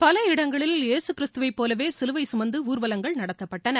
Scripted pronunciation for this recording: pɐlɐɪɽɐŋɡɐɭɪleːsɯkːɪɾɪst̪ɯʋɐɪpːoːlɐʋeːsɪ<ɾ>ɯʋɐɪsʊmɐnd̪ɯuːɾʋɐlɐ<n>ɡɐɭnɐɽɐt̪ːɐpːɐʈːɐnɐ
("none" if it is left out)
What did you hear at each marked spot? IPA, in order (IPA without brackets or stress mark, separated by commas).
l, ŋ